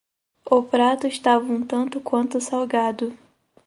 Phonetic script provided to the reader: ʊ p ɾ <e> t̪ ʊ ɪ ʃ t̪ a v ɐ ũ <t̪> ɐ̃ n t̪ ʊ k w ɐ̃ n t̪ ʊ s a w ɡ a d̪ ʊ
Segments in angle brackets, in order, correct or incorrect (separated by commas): incorrect, correct